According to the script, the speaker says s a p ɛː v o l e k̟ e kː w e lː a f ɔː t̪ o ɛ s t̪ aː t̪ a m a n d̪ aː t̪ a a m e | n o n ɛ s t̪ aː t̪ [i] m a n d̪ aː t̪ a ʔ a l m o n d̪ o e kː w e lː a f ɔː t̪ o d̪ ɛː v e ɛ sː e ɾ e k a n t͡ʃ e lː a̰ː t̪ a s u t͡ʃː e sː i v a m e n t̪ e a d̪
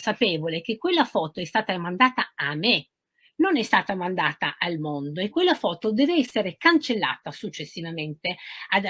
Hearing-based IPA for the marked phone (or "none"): a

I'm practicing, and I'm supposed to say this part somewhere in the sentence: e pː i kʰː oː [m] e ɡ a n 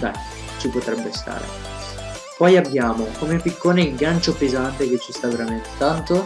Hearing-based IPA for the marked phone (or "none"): n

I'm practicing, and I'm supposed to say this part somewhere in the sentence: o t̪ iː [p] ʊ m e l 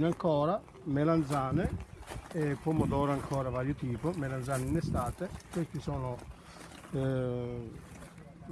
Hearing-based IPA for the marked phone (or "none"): p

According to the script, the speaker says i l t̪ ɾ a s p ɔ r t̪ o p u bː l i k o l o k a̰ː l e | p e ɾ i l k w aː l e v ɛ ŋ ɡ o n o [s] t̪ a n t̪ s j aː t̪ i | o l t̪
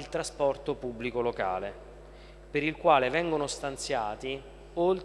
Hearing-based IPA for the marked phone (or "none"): s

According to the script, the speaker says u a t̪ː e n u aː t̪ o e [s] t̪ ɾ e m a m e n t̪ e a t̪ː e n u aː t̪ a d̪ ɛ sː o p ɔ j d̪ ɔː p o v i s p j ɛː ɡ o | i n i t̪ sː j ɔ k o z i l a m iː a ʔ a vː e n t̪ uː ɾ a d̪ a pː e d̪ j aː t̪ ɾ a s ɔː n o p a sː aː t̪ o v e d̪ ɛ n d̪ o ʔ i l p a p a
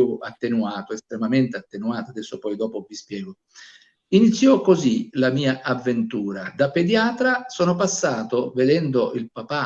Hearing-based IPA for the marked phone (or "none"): s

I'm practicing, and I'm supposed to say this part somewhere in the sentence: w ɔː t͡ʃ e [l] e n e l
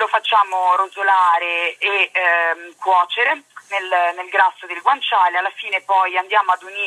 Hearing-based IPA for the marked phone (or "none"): ɾ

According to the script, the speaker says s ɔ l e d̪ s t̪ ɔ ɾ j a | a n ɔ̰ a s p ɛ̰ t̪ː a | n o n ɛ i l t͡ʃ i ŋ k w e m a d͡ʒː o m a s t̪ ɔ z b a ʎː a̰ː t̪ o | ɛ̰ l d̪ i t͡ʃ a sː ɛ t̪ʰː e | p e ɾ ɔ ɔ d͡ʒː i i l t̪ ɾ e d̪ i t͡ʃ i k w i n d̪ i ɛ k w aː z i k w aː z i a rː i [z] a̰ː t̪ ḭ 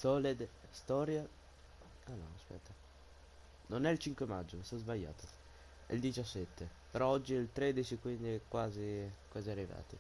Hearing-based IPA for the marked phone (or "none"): v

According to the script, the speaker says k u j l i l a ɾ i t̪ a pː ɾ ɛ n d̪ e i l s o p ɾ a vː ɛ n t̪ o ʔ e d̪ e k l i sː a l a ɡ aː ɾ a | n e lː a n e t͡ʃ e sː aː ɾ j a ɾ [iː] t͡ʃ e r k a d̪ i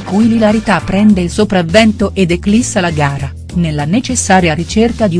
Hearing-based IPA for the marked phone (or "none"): i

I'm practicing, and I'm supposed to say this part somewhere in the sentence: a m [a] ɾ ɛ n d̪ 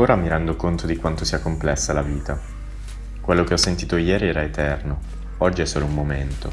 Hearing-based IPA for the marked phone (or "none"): i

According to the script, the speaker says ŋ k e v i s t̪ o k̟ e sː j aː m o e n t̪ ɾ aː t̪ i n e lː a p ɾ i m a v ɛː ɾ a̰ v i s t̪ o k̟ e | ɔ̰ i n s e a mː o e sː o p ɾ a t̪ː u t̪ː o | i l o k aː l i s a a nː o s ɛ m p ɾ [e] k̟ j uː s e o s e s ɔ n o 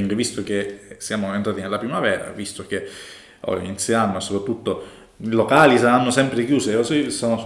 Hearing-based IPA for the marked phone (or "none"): e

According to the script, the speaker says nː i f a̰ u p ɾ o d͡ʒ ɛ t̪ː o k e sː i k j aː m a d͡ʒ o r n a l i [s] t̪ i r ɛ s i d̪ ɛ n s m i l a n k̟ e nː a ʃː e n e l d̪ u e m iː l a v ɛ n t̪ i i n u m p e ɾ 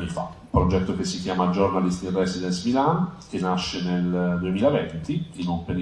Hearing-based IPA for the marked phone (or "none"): s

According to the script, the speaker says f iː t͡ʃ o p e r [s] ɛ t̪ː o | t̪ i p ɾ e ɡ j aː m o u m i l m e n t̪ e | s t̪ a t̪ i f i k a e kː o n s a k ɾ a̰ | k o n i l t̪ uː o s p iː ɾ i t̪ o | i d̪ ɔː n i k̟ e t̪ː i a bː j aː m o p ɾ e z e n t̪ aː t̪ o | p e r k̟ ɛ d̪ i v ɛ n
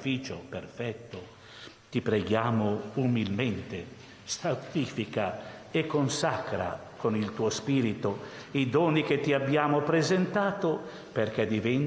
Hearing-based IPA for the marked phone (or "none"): f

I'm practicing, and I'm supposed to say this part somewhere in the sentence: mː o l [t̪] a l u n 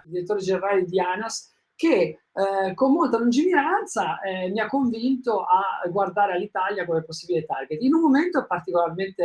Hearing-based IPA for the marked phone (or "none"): t̪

